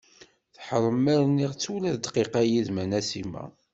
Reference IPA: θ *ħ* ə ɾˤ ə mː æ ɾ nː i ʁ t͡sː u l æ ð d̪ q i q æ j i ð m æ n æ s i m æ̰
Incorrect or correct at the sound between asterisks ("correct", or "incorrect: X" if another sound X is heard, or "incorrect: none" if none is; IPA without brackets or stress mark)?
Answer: correct